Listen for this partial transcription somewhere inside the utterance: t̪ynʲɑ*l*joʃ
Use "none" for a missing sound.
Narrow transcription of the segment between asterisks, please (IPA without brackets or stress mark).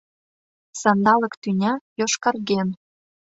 none